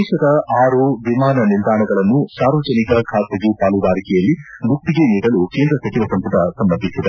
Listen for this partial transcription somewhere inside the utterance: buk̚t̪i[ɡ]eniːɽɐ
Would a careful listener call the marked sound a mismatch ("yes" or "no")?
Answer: no